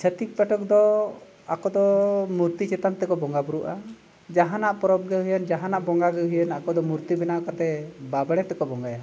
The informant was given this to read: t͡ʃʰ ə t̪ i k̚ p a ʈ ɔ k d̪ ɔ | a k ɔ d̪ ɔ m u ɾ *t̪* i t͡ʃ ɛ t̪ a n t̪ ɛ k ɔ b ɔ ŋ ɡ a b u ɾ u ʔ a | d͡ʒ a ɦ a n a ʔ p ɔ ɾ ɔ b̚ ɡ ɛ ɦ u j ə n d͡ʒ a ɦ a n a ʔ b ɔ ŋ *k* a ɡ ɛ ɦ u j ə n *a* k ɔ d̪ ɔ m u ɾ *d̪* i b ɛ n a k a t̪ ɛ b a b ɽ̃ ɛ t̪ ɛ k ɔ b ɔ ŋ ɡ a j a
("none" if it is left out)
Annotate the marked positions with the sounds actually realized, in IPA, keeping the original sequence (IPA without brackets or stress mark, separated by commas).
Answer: t̪, ɡ, a, t̪